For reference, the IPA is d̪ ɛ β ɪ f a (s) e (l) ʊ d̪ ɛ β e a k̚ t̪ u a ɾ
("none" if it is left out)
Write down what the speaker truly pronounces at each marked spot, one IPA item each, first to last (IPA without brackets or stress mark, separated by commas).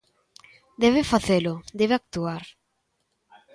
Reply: θ, l